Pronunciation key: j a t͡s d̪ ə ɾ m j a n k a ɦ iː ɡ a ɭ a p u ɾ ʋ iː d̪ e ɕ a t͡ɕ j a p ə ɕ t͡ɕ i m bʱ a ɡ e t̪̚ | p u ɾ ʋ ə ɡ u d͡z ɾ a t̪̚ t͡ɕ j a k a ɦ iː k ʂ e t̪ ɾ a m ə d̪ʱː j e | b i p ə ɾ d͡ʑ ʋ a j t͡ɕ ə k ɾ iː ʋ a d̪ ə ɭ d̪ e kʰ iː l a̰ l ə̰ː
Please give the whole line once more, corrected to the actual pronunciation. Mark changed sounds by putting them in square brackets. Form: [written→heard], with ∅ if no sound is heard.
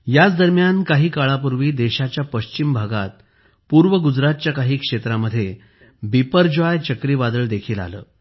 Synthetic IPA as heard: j a t͡s d̪ ə ɾ m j a n k a ɦ iː [ɡ→k] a ɭ a p u ɾ ʋ iː d̪ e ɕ a t͡ɕ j a p ə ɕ t͡ɕ i m bʱ a ɡ [e→a] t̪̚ | p u ɾ ʋ ə ɡ u d͡z ɾ a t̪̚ t͡ɕ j a k a ɦ iː k ʂ e t̪ ɾ a m ə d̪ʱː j e | b i p ə ɾ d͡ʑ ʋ a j t͡ɕ ə k ɾ iː ʋ a d̪ ə ɭ d̪ e kʰ iː l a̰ l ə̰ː